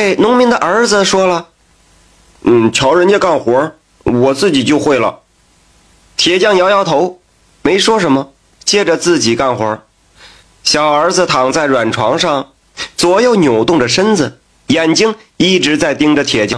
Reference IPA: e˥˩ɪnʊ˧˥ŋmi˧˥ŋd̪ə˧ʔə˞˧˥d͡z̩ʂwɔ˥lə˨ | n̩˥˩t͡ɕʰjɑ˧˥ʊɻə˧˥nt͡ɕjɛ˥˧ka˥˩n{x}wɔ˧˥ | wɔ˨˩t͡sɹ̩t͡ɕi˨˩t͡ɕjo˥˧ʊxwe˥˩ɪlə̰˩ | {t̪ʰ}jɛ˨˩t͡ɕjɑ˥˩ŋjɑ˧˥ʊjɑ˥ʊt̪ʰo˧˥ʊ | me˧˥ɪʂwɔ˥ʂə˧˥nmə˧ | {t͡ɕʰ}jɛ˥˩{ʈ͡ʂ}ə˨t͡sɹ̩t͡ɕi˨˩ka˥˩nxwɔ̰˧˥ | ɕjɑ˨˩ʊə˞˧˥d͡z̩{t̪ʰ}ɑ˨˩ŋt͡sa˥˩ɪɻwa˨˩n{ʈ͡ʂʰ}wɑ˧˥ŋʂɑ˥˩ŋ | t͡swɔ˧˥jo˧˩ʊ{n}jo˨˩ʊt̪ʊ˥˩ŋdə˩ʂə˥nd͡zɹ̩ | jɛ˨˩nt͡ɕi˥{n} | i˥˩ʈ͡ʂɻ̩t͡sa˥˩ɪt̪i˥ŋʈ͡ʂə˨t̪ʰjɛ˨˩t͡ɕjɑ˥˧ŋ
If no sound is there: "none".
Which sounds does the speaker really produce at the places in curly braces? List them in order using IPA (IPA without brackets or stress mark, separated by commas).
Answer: x, t̪ʰ, t͡ɕ, ʈ͡ʂ, t̪ʰ, ʈ͡ʂʰ, n, ŋ